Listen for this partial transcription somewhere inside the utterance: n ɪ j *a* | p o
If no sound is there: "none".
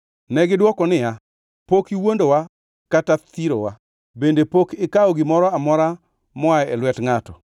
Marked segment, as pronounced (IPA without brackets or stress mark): a